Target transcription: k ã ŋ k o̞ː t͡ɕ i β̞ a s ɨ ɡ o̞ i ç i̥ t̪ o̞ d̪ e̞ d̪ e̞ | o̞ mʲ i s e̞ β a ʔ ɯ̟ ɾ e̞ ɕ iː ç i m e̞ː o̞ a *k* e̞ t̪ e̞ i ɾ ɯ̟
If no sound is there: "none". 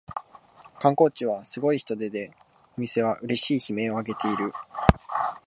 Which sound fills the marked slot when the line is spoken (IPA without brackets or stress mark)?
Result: ɡ